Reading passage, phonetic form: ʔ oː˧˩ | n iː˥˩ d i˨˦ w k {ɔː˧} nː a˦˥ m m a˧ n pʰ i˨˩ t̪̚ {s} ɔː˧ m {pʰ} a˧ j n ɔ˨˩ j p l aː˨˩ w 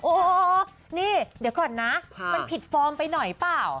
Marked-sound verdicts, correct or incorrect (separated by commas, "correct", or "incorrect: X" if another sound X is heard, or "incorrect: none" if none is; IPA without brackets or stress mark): incorrect: ɔː˨˩, incorrect: f, incorrect: p